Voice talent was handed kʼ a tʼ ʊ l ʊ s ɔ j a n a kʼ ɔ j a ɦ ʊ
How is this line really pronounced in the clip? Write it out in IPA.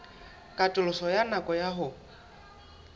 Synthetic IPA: kʼ a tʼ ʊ l ʊ s ɔ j a n a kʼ ɔ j a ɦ ʊ